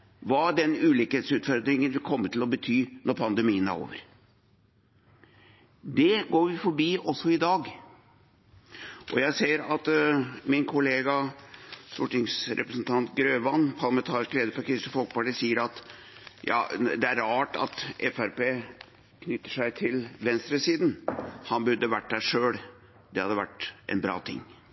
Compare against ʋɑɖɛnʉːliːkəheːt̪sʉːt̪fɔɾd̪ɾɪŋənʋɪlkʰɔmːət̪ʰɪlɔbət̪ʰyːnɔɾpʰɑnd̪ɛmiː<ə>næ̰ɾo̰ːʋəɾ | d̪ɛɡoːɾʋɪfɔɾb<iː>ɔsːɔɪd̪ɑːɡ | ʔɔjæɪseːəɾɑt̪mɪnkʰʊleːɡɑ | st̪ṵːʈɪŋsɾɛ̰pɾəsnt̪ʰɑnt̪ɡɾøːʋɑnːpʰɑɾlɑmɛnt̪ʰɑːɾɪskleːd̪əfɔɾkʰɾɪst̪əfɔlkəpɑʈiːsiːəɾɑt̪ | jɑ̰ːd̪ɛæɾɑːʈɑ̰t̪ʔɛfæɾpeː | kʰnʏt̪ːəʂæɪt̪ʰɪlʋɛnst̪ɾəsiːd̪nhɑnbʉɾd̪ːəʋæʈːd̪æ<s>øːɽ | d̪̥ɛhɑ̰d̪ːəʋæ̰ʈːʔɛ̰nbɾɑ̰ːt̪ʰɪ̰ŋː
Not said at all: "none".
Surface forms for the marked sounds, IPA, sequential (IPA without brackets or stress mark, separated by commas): ə, iː, ʂ